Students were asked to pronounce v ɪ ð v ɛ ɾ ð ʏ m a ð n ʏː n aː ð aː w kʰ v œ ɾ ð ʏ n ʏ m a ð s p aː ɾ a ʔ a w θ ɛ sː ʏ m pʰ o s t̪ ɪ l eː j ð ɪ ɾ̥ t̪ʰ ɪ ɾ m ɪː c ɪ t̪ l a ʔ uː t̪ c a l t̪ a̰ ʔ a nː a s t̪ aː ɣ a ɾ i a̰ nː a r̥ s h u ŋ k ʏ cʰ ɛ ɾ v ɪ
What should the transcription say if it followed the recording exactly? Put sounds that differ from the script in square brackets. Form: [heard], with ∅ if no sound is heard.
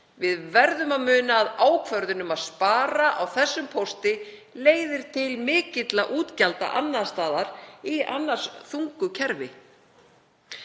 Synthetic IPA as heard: v ɪ ð v ɛ ɾ ð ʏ m a ð [m] ʏː n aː ð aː w kʰ v œ ɾ ð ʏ n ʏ m a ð s p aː ɾ a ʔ a w θ ɛ sː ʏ m pʰ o s t̪ ɪ l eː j ð ɪ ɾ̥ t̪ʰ ɪ [l] m ɪː c ɪ t̪ l a ʔ uː t̪ c a l t̪ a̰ ʔ a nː a s t̪ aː [ð] a ɾ i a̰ nː a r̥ s [θ] u ŋ k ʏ cʰ ɛ ɾ v ɪ

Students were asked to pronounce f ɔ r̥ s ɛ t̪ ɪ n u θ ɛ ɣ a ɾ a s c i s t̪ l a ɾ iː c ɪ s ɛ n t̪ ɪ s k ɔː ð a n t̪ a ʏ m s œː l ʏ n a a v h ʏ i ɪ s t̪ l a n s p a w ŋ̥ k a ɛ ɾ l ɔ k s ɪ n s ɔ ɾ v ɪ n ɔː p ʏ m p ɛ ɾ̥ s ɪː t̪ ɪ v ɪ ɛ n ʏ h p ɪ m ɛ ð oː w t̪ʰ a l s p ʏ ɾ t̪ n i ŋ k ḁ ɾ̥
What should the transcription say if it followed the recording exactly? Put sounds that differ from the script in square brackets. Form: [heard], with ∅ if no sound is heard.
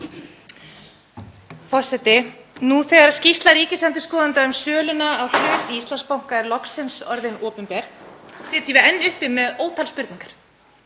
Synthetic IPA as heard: f ɔ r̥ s ɛ t̪ ɪ n u θ ɛ ɣ a ɾ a s c i s t̪ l a ɾ iː c ɪ s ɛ n t̪ ɪ s k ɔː ð a n t̪ a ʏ m s œː l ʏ n a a [w] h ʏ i [i] s t̪ l a n s p a w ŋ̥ k a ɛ ɾ l ɔ k s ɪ n s ɔ ɾ [ð] ɪ n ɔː p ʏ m p ɛ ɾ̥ s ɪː t̪ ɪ v ɪ ɛ [nː] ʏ h p ɪ m ɛ ð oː w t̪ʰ a l s p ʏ ɾ t̪ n i ŋ k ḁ ɾ̥

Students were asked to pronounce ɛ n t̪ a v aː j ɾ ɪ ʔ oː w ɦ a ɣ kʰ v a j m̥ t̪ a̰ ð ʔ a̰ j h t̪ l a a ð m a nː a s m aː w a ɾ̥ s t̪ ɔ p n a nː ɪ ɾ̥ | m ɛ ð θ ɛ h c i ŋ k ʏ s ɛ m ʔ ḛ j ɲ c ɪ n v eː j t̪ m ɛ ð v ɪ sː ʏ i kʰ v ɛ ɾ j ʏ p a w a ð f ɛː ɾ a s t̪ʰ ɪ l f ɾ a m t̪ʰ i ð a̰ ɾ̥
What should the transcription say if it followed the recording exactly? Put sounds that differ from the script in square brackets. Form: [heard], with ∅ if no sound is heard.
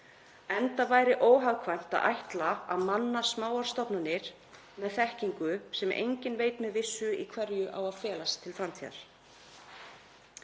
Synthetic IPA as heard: ɛ n t̪ a v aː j ɾ ɪ ʔ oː w ɦ a ɣ kʰ v a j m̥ t̪ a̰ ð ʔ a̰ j h t̪ l a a ð m a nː a s m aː w a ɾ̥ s t̪ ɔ p n a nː ɪ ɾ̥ | m ɛ ð θ ɛ h c i ŋ k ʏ s ɛ m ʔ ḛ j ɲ c ɪ n v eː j t̪ m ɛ ð v ɪ sː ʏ i kʰ v ɛ ɾ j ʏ [ʔ] a w a ð f ɛː [l] a s t̪ʰ ɪ l f ɾ a m t̪ʰ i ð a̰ ɾ̥

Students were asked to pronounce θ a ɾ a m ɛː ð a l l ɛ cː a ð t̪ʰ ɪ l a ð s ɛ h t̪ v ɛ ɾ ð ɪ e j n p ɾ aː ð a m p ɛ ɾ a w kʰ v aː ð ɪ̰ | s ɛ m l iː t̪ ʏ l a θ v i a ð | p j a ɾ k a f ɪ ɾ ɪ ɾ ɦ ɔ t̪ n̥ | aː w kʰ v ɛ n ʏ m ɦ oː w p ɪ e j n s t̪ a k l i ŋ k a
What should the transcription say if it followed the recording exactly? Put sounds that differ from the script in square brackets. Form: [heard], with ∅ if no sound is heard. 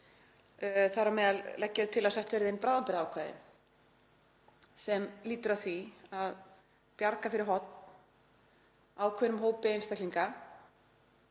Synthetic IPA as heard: θ a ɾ a m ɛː ð a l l ɛ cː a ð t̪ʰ ɪ l a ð s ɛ h t̪ v ɛ ɾ ð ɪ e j n p ɾ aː ð a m p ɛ ɾ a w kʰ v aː ð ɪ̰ | s ɛ m l iː t̪ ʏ [ɾ] a θ v i a ð | p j a ɾ k a f ɪ ɾ ɪ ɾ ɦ ɔ t̪ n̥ | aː w kʰ v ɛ n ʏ m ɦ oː w p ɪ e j n s t̪ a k l i ŋ k a

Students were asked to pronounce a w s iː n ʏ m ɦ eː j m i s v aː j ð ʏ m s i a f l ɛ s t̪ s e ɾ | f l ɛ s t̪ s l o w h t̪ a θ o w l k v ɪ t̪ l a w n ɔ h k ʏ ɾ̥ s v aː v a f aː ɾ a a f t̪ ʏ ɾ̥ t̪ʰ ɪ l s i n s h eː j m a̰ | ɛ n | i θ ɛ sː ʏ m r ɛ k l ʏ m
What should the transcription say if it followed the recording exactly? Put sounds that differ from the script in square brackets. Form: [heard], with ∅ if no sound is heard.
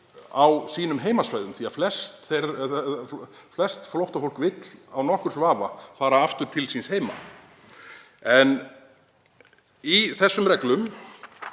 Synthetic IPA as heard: a w s iː n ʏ m ɦ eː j m [a] s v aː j ð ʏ m [θ] i a f l ɛ s t̪ [θ] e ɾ | f l ɛ s t̪ [f] l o w h t̪ a [f] o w l k v ɪ t̪ l a w n ɔ h k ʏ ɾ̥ s v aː v a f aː ɾ a a f t̪ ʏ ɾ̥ t̪ʰ ɪ l s i n s h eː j m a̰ | ɛ n | i θ ɛ sː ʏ m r ɛ k l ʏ m

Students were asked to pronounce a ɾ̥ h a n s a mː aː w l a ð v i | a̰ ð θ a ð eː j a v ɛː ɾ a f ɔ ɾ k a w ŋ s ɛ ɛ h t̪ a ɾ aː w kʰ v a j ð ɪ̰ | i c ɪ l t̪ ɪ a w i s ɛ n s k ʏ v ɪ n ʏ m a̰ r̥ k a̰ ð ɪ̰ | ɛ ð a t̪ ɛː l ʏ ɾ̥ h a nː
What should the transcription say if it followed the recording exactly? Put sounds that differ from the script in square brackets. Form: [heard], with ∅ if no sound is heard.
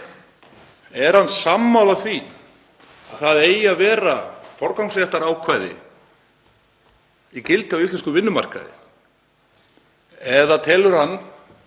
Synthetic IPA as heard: [ɛ] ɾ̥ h a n s a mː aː w l a [θ] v i | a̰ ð θ a ð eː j a v ɛː ɾ a f ɔ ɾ k a w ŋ s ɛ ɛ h t̪ a ɾ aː w kʰ v a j ð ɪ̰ | i c ɪ l t̪ ɪ a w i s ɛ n s k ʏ v ɪ [nː] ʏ m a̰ r̥ k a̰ ð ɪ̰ | ɛ ð a [t̪ʰ] ɛː l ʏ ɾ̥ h a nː

